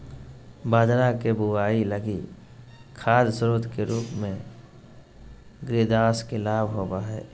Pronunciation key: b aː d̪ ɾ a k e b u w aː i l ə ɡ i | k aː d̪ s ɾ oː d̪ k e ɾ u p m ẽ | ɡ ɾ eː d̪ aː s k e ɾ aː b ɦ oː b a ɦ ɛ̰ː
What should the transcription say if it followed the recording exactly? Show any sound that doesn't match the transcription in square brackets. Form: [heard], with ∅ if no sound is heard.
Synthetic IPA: b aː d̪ ɾ a k e b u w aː i l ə ɡ i | [kʰ] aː d̪ s ɾ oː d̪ k e ɾ [uː] p m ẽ | ɡ ɾ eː d̪ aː s k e [l] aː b ɦ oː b a ɦ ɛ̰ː